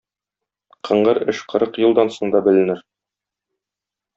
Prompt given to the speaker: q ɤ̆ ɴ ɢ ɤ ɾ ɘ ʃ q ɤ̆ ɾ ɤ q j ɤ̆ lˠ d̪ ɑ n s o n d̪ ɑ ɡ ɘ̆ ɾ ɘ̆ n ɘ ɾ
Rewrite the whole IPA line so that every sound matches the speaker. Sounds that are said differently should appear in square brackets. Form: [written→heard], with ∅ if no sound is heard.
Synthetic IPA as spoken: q ɤ̆ ɴ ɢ ɤ ɾ ɘ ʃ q ɤ̆ ɾ ɤ q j ɤ̆ lˠ d̪ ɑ n s o [n→ɴ] d̪ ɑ [ɡ→b] ɘ̆ [ɾ→l] ɘ̆ n ɘ ɾ